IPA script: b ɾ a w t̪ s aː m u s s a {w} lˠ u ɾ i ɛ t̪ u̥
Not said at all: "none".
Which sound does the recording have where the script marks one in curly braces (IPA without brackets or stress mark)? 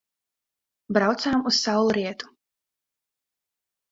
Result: w